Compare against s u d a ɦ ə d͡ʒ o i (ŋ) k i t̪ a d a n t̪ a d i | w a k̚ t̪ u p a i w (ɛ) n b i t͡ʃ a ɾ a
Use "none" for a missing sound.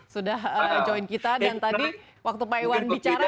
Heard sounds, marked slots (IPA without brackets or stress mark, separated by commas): n, a